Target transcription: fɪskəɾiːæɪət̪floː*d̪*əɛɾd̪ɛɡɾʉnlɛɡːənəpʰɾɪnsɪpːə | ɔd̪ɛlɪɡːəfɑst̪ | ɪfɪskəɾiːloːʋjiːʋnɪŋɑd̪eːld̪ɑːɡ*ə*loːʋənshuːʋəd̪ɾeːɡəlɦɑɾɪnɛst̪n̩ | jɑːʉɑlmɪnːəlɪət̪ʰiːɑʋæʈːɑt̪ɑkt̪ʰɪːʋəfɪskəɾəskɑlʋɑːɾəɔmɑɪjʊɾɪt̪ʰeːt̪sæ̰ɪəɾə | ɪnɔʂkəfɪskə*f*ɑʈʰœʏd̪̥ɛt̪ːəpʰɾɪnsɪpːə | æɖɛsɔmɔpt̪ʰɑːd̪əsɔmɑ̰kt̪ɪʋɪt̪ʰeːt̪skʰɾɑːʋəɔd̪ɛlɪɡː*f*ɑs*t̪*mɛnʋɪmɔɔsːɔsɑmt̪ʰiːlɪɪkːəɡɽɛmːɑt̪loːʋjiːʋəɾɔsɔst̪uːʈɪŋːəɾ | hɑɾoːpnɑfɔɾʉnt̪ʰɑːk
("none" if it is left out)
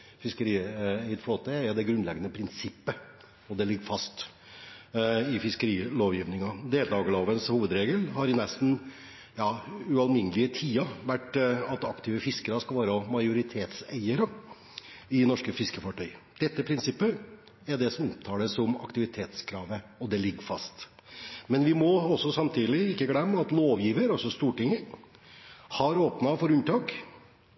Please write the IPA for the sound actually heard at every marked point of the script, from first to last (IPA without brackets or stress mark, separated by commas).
t̪, ə, f, f, t̪